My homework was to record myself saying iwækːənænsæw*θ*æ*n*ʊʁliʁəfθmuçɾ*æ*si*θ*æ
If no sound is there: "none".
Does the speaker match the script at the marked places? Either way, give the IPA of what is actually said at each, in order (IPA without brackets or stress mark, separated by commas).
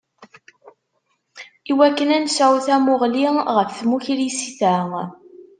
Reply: θ, m, i, θ